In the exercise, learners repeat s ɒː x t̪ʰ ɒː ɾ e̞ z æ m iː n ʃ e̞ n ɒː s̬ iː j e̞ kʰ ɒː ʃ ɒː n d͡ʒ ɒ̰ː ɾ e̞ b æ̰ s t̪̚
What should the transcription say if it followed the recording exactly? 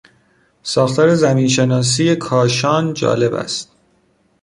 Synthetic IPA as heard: s ɒː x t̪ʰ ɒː ɾ e̞ z æ m iː n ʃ e̞ n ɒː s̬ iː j e̞ kʰ ɒː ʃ ɒː n d͡ʒ ɒ̰ː l e̞ b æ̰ s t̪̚